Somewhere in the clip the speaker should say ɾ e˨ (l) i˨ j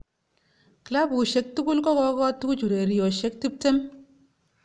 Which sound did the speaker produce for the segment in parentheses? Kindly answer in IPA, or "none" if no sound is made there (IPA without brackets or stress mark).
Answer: ɾ